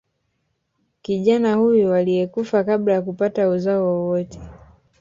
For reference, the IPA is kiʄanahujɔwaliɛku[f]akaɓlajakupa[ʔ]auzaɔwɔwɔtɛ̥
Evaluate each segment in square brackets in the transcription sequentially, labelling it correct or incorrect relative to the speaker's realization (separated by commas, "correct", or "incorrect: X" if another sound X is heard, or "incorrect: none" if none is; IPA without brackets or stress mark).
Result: correct, incorrect: t